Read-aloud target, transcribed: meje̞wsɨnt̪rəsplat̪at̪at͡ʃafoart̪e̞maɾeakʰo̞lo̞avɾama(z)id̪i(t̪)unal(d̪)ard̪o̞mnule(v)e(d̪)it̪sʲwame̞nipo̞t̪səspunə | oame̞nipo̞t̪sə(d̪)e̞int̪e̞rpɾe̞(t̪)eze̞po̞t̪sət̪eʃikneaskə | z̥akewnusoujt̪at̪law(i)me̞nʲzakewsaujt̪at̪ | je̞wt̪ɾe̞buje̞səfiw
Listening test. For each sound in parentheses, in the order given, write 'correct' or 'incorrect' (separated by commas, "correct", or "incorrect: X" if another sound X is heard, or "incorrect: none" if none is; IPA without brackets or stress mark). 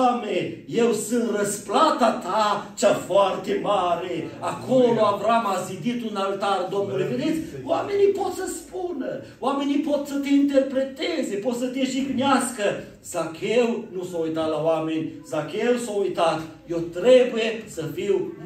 correct, correct, incorrect: t̪, correct, correct, incorrect: t̪, correct, incorrect: a